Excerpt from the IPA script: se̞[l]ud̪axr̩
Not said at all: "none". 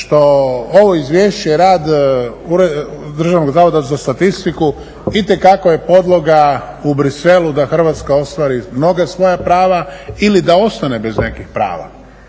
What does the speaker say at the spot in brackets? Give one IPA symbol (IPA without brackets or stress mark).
l